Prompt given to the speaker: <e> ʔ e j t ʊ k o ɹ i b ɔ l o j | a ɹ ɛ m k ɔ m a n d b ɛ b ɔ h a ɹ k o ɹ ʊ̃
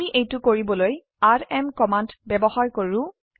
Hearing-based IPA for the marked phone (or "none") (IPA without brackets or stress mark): i